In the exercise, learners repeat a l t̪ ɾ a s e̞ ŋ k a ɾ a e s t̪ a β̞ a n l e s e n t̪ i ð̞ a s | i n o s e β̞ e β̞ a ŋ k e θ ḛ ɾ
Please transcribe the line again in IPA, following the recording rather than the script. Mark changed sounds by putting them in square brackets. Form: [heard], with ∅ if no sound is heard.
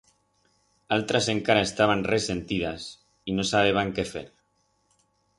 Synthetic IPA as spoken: a l t̪ ɾ a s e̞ ŋ k a ɾ a e s t̪ a β̞ a n [r] e s e n t̪ i ð̞ a s | i n o s [a] β̞ e β̞ a ŋ k e [f] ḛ ɾ